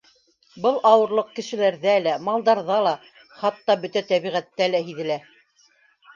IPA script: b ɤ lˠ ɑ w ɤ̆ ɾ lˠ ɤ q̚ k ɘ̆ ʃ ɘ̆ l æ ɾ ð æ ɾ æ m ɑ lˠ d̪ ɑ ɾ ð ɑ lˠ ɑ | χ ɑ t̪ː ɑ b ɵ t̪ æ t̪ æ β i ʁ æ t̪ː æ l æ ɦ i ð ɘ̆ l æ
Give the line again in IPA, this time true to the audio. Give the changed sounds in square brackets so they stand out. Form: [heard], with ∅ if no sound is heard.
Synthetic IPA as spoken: b ɤ lˠ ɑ w ɤ̆ ɾ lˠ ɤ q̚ k ɘ̆ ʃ ɘ̆ l æ ɾ ð æ [l] æ m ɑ lˠ d̪ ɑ ɾ ð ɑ lˠ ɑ | χ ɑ t̪ː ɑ b ɵ t̪ æ t̪ æ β i ʁ æ t̪ː æ l æ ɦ i ð ɘ̆ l æ